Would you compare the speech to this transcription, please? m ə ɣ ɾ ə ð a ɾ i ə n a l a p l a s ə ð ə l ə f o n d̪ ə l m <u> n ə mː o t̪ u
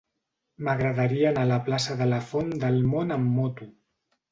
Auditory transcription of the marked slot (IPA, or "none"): o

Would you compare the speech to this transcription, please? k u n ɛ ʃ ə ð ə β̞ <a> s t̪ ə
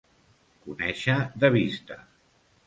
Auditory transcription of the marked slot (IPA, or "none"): i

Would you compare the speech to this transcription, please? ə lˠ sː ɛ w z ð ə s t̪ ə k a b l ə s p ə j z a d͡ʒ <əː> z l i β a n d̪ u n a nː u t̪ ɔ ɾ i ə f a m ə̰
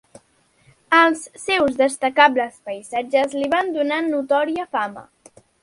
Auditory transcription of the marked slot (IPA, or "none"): ə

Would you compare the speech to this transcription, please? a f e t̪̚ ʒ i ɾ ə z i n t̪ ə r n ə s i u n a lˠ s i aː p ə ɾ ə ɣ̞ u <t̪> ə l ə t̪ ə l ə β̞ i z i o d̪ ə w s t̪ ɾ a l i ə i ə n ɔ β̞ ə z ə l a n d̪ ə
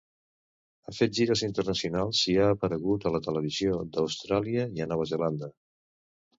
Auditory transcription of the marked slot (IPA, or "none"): t̪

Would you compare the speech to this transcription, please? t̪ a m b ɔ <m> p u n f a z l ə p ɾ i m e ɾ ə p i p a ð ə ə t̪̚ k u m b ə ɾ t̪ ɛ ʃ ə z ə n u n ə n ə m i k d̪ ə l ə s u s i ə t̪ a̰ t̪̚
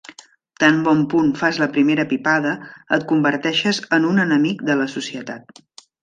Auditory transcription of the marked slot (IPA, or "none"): m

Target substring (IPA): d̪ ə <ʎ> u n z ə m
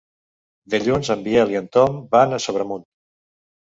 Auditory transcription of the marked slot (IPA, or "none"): ʎ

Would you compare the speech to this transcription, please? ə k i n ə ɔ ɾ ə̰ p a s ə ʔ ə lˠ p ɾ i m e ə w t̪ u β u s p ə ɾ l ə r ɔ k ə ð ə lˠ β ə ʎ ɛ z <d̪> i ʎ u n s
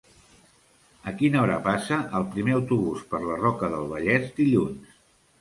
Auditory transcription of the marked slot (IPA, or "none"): d̪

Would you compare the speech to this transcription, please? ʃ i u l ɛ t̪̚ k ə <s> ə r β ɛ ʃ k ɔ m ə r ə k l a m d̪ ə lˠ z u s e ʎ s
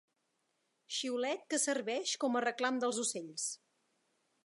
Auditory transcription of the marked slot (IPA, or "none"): s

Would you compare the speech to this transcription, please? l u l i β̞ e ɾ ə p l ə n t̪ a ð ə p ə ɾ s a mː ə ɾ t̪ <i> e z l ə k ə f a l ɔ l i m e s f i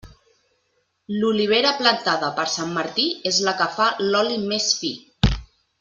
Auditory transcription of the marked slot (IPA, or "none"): i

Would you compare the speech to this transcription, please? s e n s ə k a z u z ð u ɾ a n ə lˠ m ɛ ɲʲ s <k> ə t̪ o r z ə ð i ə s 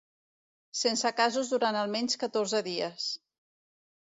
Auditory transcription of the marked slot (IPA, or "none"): k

